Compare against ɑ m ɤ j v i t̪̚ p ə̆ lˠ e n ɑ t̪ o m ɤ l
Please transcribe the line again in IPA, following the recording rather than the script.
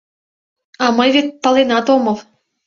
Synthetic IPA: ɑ m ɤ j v e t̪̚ p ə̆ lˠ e n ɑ t̪ o m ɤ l